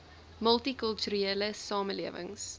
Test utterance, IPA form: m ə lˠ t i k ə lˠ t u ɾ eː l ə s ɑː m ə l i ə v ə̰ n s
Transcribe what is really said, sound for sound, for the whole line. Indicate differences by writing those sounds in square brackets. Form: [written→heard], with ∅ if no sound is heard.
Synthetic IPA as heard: m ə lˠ t i k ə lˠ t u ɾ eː l ə s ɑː m ə l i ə v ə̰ [n→ŋ] s